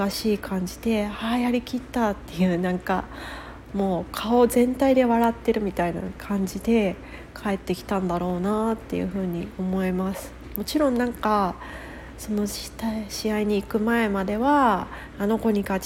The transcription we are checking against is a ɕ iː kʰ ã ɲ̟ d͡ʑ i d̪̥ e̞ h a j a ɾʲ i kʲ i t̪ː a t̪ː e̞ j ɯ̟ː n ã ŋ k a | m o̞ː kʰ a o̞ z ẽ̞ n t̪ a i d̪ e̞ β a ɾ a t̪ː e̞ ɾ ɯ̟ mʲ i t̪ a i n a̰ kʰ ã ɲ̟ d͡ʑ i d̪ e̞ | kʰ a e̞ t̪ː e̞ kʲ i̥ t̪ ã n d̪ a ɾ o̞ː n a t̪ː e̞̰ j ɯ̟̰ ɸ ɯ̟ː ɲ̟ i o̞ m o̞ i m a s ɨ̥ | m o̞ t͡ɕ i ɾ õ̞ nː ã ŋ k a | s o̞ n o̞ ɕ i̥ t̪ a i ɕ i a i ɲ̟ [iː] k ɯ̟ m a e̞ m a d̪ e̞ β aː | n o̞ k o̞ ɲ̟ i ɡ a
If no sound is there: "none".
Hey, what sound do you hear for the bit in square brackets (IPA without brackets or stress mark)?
iː